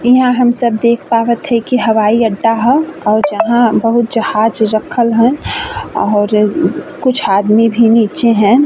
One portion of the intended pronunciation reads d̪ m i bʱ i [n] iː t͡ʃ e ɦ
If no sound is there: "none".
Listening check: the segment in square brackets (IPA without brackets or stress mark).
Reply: n